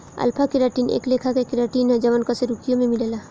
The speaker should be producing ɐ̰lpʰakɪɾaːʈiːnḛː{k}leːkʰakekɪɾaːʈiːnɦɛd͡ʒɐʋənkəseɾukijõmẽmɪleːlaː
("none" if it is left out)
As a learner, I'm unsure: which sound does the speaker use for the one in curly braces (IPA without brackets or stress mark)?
k